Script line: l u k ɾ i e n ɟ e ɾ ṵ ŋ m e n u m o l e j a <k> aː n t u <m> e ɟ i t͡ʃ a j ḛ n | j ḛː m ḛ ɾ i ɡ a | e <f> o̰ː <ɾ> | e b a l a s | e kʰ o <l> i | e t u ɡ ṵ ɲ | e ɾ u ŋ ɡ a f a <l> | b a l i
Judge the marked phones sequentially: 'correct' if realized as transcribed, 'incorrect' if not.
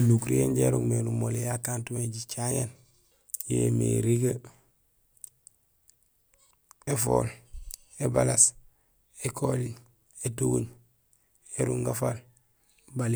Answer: correct, correct, correct, incorrect: l, correct, correct

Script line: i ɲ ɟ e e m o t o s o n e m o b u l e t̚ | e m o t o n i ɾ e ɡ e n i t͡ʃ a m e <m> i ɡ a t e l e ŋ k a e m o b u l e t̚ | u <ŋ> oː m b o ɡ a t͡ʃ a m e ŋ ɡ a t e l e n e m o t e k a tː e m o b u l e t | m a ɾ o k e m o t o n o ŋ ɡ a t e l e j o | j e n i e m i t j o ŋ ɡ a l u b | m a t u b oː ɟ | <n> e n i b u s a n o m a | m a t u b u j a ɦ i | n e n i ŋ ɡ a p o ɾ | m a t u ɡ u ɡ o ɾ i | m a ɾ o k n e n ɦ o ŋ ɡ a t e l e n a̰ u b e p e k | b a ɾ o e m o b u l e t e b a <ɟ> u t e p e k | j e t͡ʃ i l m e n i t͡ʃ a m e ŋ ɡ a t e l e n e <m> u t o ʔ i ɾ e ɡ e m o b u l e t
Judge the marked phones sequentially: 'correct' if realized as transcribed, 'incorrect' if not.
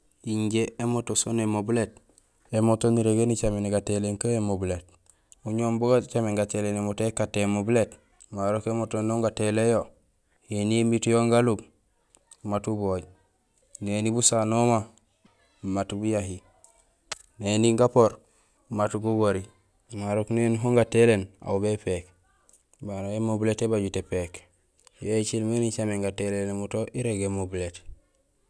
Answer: incorrect: n, incorrect: ɲ, correct, correct, correct

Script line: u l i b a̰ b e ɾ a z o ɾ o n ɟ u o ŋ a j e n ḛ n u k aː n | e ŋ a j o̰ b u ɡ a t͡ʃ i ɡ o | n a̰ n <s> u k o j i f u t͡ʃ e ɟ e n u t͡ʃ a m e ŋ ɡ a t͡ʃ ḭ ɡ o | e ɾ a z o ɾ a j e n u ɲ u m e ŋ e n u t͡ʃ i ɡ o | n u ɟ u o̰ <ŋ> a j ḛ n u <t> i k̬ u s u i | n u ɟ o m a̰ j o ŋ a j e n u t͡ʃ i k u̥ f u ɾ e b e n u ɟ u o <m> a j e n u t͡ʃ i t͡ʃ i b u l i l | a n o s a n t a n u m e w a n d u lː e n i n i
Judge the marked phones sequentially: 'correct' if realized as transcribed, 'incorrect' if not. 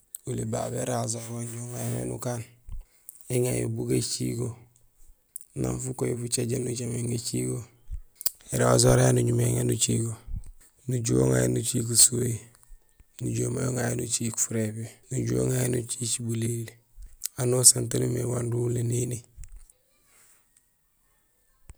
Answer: incorrect: f, correct, incorrect: t͡ʃ, incorrect: ŋ

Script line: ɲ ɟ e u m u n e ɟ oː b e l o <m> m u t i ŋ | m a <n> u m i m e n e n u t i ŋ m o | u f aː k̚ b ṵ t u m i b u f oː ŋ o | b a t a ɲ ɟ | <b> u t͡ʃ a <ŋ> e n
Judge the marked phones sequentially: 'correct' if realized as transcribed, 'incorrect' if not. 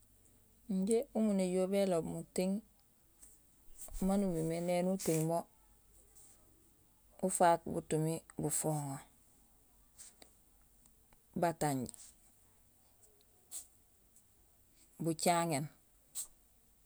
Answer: incorrect: b, correct, correct, correct

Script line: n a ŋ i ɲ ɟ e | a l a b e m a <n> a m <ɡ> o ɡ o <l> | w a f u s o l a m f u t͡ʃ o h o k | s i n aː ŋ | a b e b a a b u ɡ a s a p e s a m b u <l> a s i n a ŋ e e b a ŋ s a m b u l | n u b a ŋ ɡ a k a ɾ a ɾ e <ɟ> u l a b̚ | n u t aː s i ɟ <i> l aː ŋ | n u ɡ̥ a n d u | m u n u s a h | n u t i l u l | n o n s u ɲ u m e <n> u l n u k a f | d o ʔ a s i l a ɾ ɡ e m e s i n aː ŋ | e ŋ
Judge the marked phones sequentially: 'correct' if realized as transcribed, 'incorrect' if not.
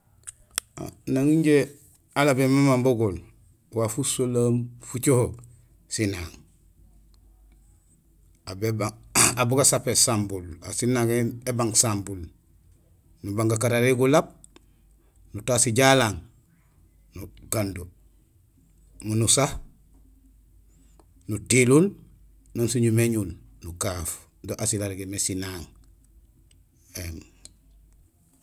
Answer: incorrect: m, incorrect: b, correct, correct, incorrect: ɡ, incorrect: a, incorrect: ɲ

